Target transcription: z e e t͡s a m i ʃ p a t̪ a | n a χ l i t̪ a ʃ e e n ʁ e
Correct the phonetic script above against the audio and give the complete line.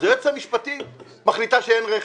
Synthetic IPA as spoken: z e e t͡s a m i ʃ p a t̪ i | m a χ l i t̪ a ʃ e e n ʁ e